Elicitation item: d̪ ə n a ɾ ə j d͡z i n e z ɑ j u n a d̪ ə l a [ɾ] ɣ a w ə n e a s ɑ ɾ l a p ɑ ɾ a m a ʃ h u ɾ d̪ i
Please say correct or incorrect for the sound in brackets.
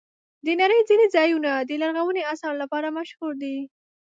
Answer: correct